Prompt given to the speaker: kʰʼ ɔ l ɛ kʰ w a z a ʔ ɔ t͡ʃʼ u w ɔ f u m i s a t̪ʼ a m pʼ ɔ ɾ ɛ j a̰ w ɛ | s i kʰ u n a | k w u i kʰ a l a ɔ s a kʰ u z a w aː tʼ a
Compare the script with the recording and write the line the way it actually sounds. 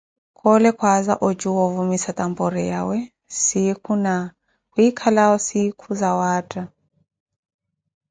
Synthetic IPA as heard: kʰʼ ɔ l ɛ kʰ w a z a ʔ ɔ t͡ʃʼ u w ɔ v u m i s a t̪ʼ a m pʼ ɔ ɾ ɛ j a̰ w ɛ | s i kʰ u n a | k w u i kʰ a l a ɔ s i kʰ u z a w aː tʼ a